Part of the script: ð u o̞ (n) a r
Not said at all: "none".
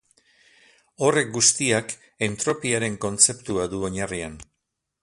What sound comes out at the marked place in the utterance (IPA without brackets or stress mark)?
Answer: ɲ